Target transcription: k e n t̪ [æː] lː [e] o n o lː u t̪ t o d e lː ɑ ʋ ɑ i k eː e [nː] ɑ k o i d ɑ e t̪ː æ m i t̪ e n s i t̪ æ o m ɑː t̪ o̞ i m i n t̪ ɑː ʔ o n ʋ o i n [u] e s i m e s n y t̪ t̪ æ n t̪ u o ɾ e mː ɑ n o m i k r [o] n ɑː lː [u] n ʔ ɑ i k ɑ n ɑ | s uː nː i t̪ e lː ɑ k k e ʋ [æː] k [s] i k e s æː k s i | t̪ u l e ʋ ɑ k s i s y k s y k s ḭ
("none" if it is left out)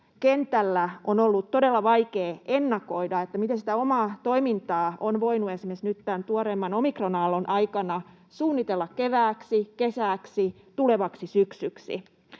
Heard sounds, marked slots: æ, æ, nː, u, o, o, æː, s

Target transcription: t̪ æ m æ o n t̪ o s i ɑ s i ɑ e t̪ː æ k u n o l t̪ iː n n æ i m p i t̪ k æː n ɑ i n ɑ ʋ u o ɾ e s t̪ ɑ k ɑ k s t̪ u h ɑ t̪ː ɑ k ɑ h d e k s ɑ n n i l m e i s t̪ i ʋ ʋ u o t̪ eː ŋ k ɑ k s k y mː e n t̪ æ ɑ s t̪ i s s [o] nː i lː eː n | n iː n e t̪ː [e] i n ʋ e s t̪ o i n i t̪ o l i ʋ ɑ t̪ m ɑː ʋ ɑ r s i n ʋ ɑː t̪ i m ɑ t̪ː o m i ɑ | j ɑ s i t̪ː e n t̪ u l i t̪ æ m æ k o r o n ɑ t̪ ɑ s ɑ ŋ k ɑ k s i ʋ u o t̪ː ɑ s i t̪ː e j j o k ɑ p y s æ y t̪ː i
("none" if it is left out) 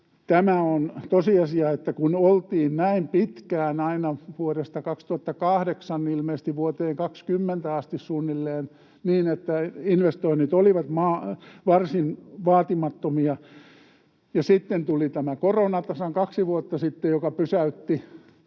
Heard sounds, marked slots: u, æ

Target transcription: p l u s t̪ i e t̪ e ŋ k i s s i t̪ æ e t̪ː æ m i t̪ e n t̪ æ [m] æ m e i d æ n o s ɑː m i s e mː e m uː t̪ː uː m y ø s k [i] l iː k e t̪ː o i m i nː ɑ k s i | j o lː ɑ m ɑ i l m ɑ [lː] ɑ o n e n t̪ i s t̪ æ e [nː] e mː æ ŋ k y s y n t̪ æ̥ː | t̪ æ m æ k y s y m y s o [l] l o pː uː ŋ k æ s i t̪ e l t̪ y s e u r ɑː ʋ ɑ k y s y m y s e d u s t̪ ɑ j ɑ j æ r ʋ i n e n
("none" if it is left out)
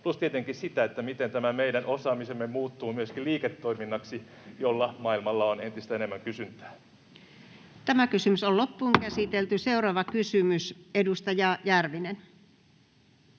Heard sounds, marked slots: m, i, lː, n, l

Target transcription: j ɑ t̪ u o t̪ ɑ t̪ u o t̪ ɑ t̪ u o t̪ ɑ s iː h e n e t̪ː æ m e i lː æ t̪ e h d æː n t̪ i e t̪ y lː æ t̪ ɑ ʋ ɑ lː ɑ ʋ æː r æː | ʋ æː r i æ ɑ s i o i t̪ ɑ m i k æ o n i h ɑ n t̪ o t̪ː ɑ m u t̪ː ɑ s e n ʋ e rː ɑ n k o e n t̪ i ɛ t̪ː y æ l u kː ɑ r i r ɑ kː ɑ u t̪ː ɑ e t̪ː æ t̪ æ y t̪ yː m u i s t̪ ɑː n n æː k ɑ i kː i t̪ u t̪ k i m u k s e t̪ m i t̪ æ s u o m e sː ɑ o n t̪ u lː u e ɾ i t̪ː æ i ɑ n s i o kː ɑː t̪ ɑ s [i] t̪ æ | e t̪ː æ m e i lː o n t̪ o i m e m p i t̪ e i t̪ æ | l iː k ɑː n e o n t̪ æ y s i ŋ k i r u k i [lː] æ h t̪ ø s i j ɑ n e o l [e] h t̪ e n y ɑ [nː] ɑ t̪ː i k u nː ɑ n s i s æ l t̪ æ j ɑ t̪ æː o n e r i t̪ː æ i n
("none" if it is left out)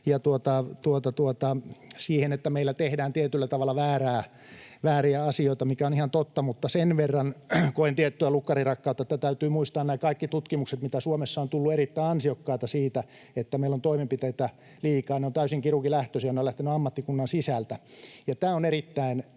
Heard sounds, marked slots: iː, l, æ, mː

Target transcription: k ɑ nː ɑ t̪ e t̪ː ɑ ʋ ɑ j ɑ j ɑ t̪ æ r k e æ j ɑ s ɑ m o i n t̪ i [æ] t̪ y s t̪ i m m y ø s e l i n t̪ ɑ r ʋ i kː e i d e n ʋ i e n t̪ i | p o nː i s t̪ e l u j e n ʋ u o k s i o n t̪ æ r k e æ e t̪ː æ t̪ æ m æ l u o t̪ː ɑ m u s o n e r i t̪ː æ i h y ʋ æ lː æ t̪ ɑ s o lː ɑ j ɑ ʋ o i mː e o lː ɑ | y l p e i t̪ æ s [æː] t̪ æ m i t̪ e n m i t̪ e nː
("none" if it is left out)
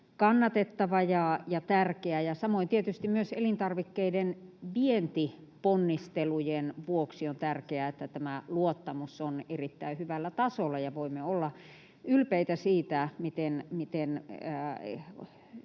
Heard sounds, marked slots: e, iː

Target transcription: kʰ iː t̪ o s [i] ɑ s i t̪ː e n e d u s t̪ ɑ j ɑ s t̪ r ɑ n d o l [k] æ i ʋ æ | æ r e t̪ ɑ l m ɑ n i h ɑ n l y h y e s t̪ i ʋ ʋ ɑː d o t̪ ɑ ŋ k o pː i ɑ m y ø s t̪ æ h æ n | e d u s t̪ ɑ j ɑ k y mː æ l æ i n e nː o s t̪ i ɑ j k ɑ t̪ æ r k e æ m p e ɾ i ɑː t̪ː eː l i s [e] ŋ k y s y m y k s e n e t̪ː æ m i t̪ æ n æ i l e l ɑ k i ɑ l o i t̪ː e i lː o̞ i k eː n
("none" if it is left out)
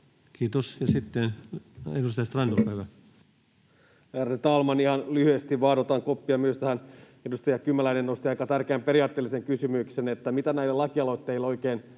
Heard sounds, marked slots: j, p, e

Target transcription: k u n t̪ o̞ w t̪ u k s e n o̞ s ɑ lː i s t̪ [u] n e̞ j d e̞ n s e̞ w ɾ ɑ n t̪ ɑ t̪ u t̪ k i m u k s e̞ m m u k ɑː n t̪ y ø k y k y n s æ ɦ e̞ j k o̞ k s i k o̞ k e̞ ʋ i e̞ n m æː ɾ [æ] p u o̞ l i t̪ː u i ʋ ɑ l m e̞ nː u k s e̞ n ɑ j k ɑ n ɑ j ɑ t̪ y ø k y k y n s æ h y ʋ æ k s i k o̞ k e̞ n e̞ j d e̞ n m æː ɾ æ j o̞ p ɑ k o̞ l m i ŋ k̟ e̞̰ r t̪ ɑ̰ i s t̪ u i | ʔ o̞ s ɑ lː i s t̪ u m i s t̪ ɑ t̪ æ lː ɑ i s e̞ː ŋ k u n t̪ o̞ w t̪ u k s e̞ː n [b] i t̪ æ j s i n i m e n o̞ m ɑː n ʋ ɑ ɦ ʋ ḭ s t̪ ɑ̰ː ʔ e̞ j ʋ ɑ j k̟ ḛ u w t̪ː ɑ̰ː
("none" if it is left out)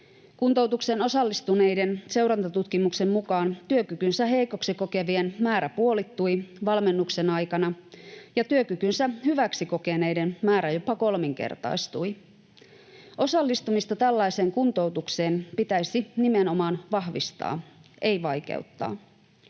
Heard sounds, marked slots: u, æ, p

